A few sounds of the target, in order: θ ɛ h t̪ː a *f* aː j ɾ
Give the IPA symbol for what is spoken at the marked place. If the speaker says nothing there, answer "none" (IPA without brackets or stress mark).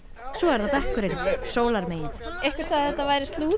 v